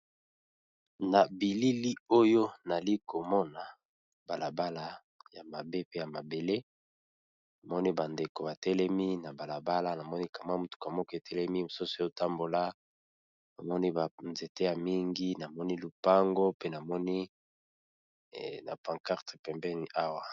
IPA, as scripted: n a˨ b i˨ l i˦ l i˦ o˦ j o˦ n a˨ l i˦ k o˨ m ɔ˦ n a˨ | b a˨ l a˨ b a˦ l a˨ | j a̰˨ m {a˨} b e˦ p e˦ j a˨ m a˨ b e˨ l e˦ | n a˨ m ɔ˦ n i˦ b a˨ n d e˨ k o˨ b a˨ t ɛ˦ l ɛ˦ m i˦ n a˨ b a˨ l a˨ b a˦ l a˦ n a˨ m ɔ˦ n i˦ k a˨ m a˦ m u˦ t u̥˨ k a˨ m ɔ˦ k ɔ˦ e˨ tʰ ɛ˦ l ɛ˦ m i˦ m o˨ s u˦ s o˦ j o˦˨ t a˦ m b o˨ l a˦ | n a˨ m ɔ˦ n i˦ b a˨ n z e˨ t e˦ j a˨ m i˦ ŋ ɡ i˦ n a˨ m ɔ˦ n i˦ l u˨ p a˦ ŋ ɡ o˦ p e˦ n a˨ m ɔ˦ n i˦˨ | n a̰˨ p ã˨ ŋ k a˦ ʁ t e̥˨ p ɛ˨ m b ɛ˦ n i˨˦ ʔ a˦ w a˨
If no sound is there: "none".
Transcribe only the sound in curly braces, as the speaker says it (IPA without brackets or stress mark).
a˨